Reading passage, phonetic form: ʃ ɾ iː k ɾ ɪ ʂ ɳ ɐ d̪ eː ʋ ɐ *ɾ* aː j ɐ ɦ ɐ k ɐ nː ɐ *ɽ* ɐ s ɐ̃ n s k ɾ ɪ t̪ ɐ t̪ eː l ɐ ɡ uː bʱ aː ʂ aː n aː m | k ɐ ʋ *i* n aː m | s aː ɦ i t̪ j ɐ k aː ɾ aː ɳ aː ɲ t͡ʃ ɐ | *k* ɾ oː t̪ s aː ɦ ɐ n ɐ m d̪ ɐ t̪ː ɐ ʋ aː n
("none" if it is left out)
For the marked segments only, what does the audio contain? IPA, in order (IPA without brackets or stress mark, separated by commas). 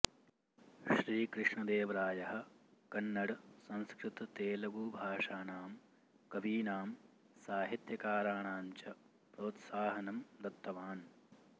ɾ, ɽ, iː, p